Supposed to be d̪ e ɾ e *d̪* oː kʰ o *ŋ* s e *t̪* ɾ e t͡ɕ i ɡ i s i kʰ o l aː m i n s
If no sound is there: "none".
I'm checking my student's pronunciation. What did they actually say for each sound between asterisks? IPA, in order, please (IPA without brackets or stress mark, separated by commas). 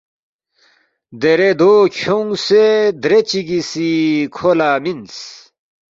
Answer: d̪, ŋ, d̪